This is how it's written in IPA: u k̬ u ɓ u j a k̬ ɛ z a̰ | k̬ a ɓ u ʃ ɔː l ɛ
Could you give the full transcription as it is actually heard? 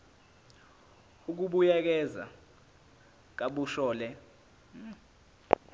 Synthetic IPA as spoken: u k̬ u ɓ u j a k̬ ɛ z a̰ | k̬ a ɓ u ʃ ɔː l ɛ